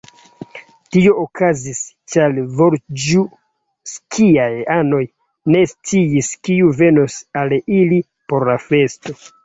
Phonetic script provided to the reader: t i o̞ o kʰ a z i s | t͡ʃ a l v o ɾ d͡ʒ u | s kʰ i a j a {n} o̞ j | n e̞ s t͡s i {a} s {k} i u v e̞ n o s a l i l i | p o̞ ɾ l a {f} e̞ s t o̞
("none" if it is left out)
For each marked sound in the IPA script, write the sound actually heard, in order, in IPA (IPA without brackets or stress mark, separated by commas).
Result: n, i, k, f